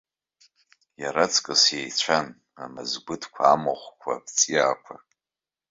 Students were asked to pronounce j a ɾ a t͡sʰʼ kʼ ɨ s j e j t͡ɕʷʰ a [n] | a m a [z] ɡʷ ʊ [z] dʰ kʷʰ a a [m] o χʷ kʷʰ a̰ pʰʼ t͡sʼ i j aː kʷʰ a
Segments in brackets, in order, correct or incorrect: correct, correct, incorrect, correct

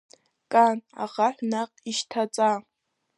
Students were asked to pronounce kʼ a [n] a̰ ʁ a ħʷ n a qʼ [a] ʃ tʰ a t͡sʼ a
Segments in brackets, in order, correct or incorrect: correct, incorrect

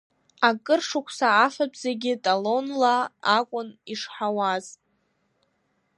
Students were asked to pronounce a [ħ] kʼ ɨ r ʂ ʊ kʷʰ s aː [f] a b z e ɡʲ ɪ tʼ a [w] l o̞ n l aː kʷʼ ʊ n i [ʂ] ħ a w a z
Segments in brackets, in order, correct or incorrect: incorrect, correct, incorrect, correct

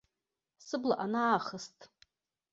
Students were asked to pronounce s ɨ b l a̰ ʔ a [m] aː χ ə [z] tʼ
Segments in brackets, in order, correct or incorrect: incorrect, incorrect

